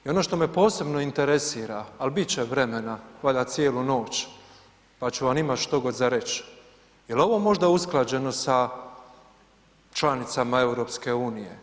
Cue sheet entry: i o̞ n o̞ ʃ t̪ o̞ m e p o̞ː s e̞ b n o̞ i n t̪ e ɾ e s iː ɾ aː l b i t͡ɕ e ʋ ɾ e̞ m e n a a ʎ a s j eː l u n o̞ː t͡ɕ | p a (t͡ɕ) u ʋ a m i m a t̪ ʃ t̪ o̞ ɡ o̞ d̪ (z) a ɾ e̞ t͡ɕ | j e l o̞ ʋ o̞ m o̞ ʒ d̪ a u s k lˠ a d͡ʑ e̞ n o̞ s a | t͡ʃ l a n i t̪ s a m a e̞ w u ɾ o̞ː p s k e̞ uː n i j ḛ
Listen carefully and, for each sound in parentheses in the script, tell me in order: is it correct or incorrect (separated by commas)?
correct, correct